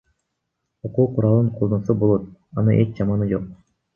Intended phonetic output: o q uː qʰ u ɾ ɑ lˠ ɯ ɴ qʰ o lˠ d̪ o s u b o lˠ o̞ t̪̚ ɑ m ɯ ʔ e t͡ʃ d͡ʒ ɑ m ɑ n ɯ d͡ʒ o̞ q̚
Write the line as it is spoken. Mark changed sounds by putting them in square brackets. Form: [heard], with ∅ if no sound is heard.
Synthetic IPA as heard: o q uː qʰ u ɾ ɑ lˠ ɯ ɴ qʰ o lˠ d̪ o s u b o lˠ o̞ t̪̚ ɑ [n] ɯ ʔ e t͡ʃ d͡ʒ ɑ m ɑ n ɯ d͡ʒ o̞ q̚